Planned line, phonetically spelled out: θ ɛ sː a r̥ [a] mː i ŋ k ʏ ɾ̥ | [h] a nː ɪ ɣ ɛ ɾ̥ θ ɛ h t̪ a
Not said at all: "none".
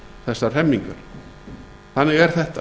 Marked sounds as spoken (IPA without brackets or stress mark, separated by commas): ɛ, θ